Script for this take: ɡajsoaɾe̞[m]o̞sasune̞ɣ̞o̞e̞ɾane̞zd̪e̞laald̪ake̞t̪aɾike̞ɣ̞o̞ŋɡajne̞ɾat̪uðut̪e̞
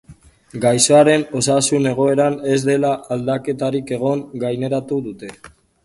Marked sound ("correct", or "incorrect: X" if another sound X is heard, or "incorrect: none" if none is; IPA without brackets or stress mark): incorrect: n